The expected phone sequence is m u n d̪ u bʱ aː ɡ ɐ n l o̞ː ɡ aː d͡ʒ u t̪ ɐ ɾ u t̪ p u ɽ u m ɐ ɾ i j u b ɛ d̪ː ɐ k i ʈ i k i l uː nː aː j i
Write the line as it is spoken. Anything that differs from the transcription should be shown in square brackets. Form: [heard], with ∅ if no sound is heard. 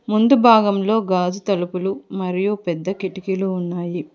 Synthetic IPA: m u n d̪ u bʱ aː ɡ ɐ [m] l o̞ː ɡ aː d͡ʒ u t̪ ɐ [l] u [∅] p u [l] u m ɐ ɾ i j u [p] ɛ d̪ː ɐ k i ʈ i k i l uː nː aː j i